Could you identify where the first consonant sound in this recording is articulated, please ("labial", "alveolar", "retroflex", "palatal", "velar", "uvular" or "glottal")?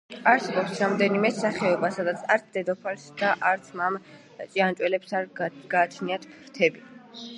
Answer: alveolar